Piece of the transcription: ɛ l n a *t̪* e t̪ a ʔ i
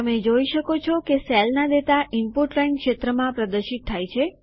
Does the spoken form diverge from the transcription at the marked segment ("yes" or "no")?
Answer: yes